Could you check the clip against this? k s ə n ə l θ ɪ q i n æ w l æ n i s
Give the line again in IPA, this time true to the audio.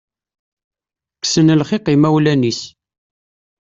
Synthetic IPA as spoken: k s ə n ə l χ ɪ q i m æ w l æ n i s